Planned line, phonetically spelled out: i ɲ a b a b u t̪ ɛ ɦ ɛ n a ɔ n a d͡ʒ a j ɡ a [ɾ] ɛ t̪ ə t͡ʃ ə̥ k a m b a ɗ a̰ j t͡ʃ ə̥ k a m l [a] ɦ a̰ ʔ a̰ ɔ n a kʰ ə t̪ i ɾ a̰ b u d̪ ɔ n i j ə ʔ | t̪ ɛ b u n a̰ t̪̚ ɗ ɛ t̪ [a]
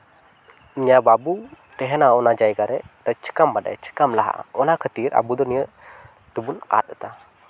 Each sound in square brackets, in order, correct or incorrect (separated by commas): correct, correct, correct